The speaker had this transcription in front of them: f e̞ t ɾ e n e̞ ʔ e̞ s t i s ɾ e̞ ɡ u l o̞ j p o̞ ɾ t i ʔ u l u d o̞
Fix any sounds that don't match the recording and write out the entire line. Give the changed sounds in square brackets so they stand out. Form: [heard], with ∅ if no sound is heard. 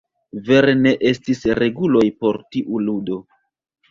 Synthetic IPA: [v] e̞ [∅] ɾ e n e̞ ʔ e̞ s t i s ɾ e̞ ɡ u l o̞ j p o̞ ɾ t i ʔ u l u d o̞